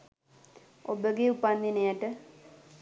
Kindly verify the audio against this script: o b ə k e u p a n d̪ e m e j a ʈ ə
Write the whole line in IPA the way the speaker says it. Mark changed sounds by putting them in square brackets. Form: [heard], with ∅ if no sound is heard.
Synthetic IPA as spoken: o b ə [ɡ] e u p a n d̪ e [n] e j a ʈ ə